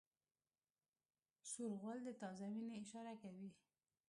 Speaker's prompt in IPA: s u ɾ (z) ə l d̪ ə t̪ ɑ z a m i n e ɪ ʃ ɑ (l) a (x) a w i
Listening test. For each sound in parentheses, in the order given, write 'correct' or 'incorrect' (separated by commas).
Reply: incorrect, incorrect, incorrect